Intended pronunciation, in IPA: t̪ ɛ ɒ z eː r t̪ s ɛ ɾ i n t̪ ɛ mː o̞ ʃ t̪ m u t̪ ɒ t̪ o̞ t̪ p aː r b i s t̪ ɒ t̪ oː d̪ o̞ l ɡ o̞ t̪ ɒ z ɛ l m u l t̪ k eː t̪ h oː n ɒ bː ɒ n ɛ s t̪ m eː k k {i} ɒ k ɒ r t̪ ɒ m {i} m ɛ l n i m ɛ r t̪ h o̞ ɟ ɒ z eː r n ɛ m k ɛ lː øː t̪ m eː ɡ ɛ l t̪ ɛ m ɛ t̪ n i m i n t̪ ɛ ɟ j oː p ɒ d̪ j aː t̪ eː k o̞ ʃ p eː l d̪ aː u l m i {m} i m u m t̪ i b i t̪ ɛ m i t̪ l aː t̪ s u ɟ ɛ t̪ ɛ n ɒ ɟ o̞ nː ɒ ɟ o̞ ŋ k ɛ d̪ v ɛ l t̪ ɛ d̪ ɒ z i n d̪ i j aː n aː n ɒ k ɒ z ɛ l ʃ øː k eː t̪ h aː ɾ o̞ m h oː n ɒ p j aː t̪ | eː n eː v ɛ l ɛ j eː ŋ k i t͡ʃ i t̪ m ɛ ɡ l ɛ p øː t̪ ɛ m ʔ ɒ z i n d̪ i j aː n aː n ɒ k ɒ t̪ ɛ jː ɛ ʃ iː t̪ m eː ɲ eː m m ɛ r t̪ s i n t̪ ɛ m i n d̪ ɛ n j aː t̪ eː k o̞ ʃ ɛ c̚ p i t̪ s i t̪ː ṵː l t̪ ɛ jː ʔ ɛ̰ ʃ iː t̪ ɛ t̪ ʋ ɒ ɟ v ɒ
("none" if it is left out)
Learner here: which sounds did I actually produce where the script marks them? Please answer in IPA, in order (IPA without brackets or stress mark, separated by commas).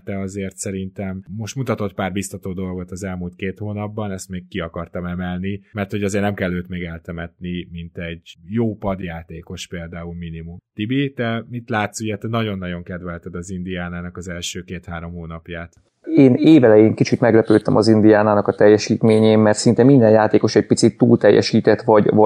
i, ɛ, n